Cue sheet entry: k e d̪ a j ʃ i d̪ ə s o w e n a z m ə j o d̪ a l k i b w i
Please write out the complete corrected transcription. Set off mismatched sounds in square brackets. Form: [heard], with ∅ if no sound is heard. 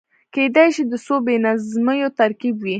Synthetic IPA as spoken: k e d̪ a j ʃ i d̪ ə s o [b] e n a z m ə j o [t̪] a [ɾ] k i b w i